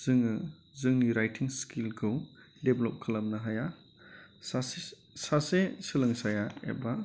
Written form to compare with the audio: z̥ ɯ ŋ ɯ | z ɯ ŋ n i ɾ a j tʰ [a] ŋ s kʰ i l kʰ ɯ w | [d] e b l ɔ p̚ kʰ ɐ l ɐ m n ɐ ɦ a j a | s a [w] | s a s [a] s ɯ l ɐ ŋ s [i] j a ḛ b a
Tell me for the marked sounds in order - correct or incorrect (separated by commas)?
incorrect, correct, incorrect, incorrect, incorrect